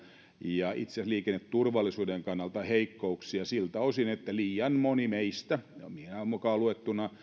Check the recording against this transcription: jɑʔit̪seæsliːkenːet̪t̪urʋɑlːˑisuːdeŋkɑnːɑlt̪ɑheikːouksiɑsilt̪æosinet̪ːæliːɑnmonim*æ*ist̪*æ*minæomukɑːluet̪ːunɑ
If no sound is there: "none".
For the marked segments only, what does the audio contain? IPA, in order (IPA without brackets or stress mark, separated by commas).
e, æ